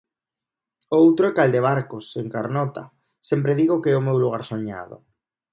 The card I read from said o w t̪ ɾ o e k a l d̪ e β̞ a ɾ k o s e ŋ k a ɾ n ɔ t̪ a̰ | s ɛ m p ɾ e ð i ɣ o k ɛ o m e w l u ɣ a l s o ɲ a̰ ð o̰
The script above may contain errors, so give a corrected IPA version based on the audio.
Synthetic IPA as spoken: o w t̪ ɾ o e k a l d̪ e β̞ a ɾ k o s e ŋ k a ɾ n ɔ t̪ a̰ | s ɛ m p ɾ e ð i ɣ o k ɛ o m e w l u ɣ a ɾ s o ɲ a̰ ð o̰

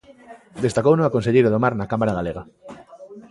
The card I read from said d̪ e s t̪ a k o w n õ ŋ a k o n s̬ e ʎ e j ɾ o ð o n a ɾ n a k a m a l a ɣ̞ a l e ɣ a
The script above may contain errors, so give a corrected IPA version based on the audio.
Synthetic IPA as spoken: d̪ e s t̪ a k o w n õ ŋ a k o n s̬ e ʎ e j ɾ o ð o m a ɾ n a k a m a ɾ a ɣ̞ a l e ɣ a

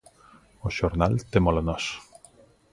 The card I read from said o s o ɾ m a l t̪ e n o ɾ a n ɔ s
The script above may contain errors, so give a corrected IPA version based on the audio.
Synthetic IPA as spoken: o ʃ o ɾ n a l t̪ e m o l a n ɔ s

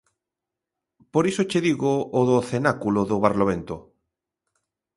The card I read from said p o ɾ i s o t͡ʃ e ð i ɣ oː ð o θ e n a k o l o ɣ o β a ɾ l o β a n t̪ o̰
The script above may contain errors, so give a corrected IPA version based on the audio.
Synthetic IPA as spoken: p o ɾ i s o t͡ʃ e ð i ɣ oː ð o θ e n a k u l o ð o β a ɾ l o β e n t̪ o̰

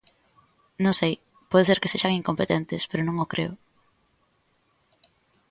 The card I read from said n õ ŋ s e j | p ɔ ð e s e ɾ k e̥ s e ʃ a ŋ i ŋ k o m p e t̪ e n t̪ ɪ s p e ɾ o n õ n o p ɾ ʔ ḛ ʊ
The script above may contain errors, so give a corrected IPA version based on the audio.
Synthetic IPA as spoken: n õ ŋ s e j | p ɔ ð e s e ɾ k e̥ s e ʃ a ŋ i ŋ k o m p e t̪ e n t̪ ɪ s p e ɾ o n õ ŋ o k ɾ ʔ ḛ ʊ

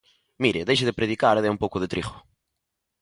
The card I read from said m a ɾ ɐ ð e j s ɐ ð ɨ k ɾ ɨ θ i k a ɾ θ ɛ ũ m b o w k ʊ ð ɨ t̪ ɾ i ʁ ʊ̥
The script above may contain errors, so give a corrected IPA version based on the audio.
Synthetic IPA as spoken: m i ɾ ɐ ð e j ʃ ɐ ð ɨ p ɾ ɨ ð i k a ɾ ð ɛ ũ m p o w k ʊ ð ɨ t̪ ɾ i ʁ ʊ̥

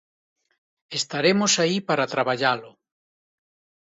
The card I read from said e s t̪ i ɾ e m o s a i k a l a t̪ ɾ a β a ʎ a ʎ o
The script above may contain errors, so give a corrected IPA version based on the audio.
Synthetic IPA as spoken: e s t̪ a ɾ e m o s a i p a ɾ a t̪ ɾ a β a ʎ a l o

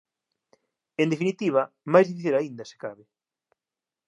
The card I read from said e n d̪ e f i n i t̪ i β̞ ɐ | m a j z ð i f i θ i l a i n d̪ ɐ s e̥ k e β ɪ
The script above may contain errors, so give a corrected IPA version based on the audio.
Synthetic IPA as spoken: e n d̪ e f i n i t̪ i β̞ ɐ | m a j z ð i f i θ i l a i n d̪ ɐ s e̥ k a β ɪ

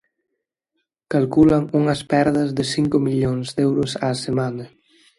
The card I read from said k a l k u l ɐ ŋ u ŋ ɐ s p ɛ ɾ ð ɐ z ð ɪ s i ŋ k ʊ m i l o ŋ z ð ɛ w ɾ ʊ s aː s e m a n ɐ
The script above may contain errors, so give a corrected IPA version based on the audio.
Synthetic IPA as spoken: k a l k u l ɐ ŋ u ŋ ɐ s p ɛ ɾ ð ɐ z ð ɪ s i ŋ k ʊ m i ʎ o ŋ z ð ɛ w ɾ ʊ s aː s e m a n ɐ

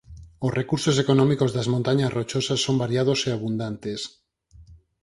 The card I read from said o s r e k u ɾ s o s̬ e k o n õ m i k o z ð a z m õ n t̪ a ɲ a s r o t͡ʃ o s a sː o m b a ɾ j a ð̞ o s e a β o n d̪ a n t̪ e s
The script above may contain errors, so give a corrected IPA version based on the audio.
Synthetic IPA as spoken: o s r e k u ɾ s o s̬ e k o n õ m i k o z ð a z m õ n t̪ a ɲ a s r o t͡ʃ o s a sː o m b a ɾ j a ð̞ o s e a β u n d̪ a n t̪ e s

